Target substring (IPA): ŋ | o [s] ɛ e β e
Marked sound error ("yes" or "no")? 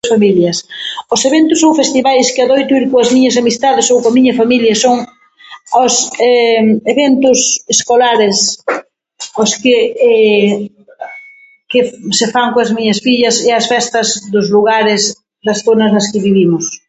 no